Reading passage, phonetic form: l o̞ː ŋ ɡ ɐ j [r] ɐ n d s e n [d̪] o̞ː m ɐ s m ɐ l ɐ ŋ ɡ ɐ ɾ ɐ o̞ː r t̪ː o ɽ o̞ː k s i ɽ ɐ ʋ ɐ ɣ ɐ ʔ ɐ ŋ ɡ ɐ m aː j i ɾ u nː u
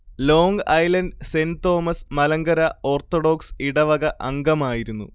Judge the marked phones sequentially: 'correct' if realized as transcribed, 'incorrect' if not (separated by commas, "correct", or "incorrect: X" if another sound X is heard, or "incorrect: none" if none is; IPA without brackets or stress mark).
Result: incorrect: l, incorrect: t̪